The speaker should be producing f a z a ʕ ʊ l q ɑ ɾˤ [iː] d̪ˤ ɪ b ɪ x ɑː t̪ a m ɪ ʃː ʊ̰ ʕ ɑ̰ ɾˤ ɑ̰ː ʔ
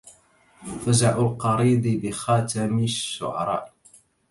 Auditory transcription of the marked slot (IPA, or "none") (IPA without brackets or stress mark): iː